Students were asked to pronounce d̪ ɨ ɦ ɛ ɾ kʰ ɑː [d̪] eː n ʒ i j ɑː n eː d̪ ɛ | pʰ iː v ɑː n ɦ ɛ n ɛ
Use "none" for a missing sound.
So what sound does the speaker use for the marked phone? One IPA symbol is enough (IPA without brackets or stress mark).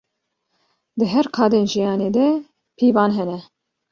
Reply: d̪